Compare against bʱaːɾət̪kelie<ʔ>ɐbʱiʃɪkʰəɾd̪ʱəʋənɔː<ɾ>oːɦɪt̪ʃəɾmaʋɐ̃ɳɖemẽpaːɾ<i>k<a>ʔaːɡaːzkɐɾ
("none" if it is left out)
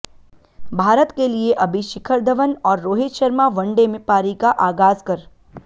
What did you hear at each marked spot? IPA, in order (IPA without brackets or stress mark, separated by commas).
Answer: ʔ, ɾː, i, a